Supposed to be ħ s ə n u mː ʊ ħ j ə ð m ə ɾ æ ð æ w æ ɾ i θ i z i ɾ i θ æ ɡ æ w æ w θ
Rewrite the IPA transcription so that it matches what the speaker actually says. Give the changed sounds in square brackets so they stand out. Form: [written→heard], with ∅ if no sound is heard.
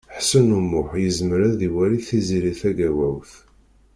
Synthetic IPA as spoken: ħ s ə n u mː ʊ ħ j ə [ð→z] m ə ɾ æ ð [æ→i] w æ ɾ i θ i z i ɾ i θ æ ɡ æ w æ w θ